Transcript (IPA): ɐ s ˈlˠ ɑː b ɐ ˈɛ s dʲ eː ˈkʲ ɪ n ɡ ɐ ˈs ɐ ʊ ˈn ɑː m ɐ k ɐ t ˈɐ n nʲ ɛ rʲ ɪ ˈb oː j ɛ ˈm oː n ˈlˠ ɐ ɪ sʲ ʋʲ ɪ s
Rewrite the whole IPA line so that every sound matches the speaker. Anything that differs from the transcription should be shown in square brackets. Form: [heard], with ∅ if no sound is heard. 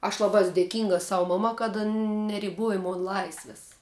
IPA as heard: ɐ [ʃ] ˈlˠ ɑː b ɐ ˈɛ s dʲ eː ˈkʲ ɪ [ŋ] ɡ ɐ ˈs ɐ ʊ [ˈm] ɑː m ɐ k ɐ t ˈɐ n nʲ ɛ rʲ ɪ ˈb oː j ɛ ˈm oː n ˈlˠ ɐ ɪ sʲ ʋʲ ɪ s